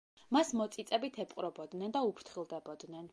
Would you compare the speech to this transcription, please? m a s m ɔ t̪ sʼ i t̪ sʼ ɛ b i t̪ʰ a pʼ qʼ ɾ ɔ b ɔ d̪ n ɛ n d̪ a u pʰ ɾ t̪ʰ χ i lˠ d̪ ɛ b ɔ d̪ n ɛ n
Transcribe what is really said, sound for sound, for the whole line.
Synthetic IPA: m a s m ɔ t̪ sʼ i t̪ sʼ ɛ b i t̪ʰ ɛ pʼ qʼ ɾ ɔ b ɔ d̪ n ɛ n d̪ a u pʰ ɾ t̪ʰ χ i lˠ d̪ ɛ b ɔ d̪ n ɛ n